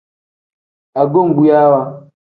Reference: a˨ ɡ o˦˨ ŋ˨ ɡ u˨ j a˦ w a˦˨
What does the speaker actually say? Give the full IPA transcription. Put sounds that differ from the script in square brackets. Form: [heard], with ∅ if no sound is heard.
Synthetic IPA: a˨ ɡ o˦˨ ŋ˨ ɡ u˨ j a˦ w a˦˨